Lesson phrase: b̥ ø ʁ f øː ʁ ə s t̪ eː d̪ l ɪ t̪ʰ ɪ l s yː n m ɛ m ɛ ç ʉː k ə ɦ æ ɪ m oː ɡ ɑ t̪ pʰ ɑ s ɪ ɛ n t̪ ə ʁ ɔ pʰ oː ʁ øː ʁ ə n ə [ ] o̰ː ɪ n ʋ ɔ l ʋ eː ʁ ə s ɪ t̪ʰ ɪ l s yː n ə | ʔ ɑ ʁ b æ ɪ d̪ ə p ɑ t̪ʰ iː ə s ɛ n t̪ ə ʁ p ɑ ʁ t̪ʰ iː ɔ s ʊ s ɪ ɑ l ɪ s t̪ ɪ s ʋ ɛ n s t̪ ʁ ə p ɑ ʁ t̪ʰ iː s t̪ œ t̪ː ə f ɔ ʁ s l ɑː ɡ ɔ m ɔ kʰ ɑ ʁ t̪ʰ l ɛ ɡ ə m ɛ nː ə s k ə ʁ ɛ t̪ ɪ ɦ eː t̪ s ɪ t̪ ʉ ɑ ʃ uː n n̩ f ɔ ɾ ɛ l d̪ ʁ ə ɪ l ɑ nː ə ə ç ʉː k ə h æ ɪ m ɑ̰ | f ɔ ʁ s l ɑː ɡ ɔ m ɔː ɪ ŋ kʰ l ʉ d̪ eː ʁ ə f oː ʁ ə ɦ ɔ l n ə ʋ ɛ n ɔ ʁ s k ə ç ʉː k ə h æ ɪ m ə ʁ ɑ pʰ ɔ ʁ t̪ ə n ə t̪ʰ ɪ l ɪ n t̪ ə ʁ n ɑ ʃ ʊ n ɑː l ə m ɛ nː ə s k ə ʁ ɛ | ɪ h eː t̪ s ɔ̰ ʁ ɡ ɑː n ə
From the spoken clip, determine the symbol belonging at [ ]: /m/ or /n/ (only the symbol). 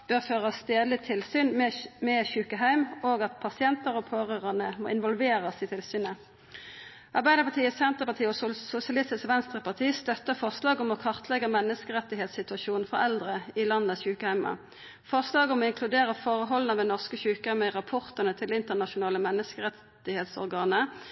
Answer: m